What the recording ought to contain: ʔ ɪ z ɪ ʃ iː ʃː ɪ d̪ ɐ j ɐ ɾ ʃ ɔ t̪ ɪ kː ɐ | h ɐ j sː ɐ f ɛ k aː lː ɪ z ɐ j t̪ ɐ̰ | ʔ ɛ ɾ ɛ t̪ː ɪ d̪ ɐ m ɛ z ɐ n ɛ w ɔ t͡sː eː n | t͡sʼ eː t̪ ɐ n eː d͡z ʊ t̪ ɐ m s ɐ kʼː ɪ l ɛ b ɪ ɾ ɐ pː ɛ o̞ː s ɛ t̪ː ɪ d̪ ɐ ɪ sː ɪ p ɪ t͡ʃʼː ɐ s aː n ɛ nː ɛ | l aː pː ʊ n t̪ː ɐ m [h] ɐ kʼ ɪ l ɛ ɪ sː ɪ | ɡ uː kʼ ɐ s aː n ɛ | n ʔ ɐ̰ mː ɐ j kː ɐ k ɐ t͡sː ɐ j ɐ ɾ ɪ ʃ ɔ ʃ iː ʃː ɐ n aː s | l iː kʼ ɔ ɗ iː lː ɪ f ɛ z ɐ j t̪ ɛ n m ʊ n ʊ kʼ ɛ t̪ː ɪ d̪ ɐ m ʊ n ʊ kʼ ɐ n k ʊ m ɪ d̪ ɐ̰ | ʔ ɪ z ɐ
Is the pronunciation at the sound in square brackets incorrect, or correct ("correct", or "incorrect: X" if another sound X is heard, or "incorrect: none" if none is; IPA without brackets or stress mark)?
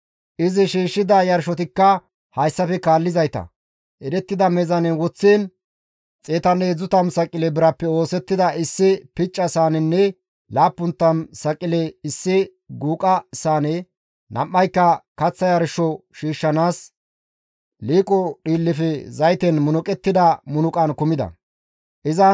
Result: incorrect: s